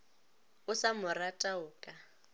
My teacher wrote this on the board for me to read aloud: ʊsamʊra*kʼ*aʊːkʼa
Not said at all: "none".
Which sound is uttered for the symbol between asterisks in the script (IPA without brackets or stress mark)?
tʼ